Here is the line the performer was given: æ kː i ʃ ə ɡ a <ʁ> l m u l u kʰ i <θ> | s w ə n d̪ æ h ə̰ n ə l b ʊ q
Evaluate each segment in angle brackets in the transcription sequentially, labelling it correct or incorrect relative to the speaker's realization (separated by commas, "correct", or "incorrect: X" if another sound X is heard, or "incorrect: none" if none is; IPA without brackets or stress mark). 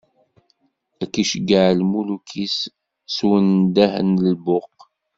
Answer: incorrect: ʕ, incorrect: s